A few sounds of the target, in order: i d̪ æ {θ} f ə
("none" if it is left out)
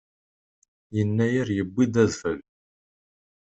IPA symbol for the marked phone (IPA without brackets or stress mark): ð